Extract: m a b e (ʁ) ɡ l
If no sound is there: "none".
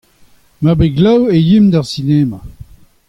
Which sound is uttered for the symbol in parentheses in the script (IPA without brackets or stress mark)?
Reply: none